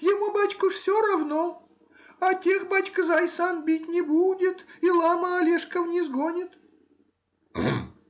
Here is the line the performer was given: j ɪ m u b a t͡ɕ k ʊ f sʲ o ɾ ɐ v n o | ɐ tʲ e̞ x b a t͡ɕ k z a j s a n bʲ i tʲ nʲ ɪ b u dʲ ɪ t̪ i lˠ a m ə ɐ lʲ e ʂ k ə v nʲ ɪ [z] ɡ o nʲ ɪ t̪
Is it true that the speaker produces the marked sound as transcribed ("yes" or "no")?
yes